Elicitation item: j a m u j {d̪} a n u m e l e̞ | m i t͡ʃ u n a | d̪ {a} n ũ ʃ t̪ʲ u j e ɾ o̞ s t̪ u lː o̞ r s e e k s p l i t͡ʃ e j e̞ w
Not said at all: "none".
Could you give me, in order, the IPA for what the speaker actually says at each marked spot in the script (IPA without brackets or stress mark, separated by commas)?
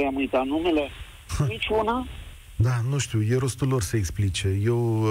t̪, a